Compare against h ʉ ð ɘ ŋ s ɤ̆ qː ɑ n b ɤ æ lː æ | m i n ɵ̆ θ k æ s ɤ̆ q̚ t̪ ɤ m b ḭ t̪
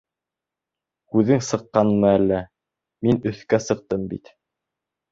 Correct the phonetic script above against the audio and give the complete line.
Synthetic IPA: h ʉ ð ɘ ŋ s ɤ̆ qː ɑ n m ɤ æ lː æ | m i n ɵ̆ θ k æ s ɤ̆ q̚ t̪ ɤ m b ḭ t̪